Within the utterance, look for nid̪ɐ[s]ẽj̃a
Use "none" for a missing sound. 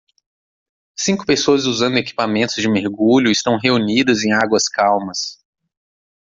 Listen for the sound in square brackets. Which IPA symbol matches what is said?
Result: z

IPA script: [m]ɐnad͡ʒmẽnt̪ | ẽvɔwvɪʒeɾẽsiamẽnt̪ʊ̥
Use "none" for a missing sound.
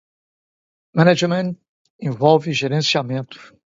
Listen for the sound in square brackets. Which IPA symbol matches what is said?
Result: m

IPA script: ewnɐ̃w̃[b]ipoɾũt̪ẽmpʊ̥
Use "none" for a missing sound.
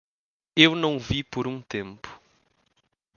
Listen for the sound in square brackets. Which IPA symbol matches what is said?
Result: v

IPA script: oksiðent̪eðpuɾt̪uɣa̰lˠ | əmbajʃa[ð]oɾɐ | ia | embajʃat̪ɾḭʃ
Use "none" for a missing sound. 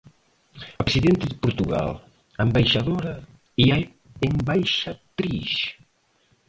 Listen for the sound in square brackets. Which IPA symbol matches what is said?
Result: ð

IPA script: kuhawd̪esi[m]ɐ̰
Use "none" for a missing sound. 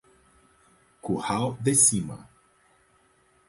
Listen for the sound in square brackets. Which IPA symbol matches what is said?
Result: m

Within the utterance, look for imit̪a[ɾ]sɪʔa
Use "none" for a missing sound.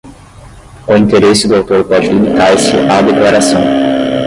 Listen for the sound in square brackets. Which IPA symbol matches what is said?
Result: ɾ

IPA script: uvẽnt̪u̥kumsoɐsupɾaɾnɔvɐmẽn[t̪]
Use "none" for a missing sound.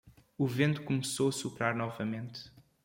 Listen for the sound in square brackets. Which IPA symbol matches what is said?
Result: t̪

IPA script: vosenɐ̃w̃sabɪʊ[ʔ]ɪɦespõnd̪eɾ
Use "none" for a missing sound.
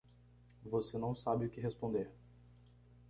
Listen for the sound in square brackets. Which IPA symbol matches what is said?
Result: k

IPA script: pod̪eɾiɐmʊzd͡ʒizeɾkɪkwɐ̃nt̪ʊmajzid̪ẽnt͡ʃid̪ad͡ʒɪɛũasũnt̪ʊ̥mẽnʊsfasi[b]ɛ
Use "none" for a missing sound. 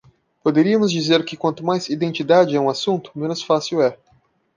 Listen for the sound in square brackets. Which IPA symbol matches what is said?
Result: w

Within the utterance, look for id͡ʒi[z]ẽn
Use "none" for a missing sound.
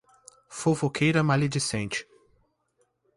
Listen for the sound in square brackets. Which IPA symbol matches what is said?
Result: s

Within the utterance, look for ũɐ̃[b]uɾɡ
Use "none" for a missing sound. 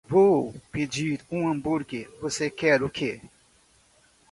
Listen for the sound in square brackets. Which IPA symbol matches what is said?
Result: b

